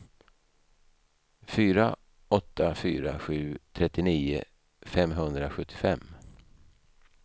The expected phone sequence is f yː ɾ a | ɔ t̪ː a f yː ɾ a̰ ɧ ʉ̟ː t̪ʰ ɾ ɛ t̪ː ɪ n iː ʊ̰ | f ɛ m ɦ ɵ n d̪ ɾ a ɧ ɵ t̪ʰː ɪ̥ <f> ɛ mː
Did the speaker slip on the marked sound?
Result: no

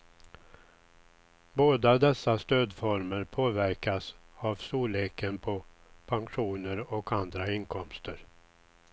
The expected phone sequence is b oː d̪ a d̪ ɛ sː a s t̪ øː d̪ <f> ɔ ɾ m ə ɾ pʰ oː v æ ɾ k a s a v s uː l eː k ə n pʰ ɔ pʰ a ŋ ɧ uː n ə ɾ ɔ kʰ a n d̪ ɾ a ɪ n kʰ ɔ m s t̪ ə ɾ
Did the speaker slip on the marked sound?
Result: no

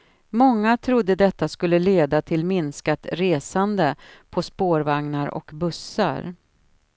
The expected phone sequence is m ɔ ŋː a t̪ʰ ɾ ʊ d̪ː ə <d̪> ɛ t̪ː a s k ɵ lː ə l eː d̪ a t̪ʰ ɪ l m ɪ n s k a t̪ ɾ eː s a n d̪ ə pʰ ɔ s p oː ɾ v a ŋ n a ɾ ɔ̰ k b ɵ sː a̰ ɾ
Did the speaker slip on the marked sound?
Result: no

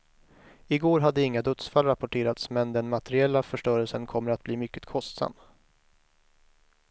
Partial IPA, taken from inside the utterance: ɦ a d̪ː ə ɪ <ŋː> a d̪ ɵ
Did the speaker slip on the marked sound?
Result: no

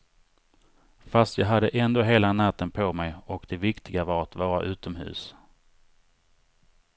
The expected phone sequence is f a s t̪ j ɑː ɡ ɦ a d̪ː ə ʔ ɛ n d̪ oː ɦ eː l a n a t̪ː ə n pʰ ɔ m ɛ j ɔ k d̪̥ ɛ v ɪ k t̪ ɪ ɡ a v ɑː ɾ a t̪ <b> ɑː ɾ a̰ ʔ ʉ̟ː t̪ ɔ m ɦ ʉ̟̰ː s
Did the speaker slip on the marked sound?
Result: yes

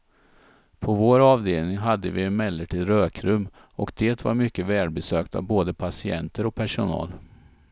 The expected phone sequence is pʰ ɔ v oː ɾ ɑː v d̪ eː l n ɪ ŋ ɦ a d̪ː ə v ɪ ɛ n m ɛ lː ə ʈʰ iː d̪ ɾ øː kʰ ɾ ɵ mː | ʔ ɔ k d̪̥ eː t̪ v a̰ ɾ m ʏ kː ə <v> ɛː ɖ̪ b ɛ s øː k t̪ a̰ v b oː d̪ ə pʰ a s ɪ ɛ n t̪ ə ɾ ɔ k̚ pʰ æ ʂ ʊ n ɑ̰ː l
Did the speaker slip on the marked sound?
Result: no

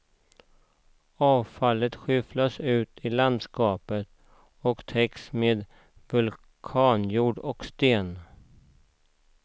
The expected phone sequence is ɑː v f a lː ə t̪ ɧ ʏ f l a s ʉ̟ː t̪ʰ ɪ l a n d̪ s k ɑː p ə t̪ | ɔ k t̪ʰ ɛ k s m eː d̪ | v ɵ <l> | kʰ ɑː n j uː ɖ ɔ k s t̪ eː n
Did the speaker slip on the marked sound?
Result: no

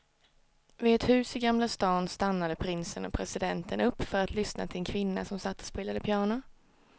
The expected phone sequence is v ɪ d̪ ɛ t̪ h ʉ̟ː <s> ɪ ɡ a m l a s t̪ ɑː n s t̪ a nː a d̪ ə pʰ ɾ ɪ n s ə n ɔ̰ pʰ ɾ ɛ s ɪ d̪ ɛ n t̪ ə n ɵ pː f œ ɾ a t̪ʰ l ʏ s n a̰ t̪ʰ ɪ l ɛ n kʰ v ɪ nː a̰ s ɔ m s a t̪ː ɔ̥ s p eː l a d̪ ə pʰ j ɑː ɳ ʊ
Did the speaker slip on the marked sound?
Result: no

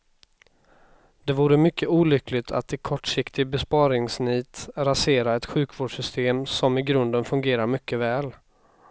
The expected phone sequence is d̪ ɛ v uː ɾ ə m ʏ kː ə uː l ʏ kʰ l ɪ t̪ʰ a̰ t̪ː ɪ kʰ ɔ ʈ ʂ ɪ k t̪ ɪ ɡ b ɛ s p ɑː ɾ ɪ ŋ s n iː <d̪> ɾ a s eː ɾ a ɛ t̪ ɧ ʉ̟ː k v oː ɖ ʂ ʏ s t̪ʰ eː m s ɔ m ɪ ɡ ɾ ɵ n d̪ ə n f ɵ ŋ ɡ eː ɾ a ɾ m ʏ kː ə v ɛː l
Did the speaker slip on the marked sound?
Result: yes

